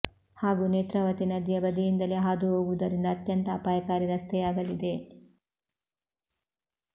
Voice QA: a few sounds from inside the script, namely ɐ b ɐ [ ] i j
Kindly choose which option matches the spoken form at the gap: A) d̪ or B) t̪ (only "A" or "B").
A